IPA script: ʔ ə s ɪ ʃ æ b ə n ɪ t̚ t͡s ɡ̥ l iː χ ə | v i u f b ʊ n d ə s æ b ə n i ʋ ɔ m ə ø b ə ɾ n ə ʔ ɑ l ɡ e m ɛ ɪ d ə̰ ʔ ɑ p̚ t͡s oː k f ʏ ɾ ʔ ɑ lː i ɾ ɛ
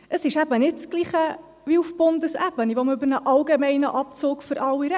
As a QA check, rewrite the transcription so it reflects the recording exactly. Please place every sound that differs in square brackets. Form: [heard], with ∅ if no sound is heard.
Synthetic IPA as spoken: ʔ ə s ɪ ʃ æ b ə n ɪ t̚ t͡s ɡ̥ l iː χ ə | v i u f b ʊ n d ə s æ b ə n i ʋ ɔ m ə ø b ə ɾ n ə ʔ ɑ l ɡ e m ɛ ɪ [n] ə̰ ʔ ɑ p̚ t͡s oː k f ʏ ɾ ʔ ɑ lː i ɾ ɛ